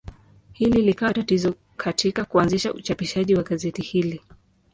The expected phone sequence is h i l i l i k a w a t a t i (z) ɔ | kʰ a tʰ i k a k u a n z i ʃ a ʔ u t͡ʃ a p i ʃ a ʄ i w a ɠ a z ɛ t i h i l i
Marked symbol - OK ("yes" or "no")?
yes